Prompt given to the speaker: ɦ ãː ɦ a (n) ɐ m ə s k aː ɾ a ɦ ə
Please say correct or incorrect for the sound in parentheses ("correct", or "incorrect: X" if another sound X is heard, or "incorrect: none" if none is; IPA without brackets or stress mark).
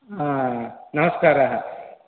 correct